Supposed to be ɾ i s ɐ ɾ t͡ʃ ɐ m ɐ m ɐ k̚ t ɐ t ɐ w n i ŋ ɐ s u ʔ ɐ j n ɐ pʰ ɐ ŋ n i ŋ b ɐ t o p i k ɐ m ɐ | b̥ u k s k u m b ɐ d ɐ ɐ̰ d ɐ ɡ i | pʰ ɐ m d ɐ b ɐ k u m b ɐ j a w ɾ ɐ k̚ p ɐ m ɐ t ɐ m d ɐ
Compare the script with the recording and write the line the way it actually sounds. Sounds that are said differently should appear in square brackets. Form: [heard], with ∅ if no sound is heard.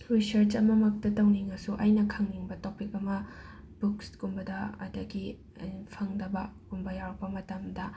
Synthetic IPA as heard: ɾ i s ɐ ɾ t͡ʃ ɐ m ɐ m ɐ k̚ t ɐ t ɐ w n i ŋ ɐ s u ʔ ɐ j n ɐ [kʰ] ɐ ŋ n i ŋ b ɐ t o p i k ɐ m ɐ | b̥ u k s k u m b ɐ d ɐ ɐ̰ d ɐ ɡ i | pʰ ɐ [ŋ] d ɐ b ɐ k u m b ɐ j a w ɾ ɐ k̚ p ɐ m ɐ t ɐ m d ɐ